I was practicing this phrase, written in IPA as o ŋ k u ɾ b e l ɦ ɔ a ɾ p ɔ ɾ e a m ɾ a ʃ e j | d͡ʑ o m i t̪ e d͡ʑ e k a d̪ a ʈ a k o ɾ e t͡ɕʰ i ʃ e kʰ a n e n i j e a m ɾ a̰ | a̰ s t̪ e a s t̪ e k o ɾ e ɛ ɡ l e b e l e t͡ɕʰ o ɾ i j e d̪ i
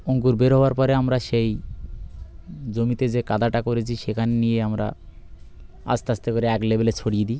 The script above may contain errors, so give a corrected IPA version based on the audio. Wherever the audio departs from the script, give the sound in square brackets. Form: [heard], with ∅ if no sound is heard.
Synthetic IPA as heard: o ŋ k u ɾ b e [ɾ] ɦ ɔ a ɾ p ɔ ɾ e a m ɾ a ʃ e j | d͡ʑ o m i t̪ e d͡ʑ e k a d̪ a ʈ a k o ɾ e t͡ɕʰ i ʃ e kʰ a n e n i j e a m ɾ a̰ | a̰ s t̪ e a s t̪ e k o ɾ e ɛ [k] l e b e l e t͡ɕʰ o [ɽ] i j e d̪ i